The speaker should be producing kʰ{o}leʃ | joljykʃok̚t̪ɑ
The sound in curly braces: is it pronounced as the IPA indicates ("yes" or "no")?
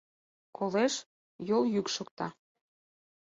yes